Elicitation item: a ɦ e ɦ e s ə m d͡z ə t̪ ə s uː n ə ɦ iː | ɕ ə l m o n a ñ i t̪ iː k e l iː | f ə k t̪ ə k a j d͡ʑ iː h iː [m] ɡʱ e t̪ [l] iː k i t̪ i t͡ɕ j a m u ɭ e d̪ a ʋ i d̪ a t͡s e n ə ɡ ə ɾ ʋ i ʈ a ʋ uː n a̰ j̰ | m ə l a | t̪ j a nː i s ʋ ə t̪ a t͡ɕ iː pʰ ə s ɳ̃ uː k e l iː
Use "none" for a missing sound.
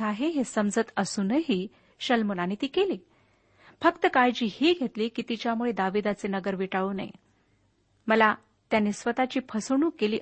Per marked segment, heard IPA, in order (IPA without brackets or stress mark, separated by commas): none, l